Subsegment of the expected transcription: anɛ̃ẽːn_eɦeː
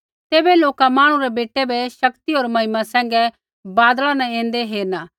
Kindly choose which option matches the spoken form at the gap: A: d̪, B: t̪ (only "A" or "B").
A